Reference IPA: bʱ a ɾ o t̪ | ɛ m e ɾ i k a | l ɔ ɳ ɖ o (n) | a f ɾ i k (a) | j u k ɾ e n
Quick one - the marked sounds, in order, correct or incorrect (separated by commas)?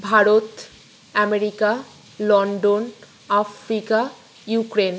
correct, correct